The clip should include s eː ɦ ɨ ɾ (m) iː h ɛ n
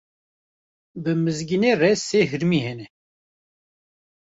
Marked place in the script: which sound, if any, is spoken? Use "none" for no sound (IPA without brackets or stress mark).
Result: m